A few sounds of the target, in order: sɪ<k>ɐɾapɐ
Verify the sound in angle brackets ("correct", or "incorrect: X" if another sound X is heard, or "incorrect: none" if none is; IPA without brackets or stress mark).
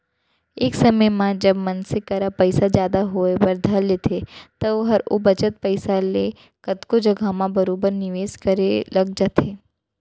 correct